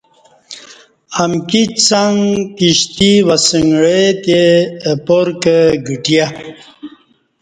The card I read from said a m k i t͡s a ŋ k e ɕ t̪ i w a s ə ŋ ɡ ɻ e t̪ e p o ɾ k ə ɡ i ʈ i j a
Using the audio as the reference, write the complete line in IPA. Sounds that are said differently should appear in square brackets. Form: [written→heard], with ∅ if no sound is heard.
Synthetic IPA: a m k i t͡s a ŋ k [e→i] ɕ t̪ i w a s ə ŋ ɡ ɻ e t̪ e p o ɾ k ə ɡ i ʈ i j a